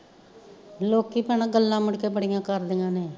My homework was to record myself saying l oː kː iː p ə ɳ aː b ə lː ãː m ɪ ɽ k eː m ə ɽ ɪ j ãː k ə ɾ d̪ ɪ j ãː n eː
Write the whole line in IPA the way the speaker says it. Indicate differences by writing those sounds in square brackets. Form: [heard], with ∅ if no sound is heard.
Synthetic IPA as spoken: l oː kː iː p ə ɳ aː [ɡ] ə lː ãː m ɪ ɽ k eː [b] ə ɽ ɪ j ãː k ə ɾ d̪ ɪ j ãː n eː